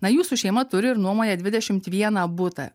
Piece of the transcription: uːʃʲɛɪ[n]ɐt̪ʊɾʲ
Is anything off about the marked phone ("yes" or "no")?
yes